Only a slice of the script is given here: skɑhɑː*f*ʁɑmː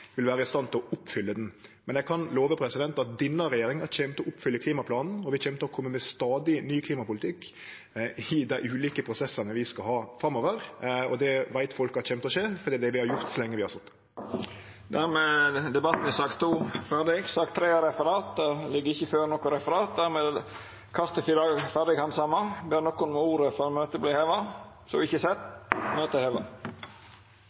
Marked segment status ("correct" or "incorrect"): correct